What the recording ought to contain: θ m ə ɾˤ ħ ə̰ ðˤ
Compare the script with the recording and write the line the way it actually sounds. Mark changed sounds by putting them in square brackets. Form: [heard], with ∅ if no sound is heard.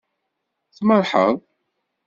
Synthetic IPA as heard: θ m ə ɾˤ ħ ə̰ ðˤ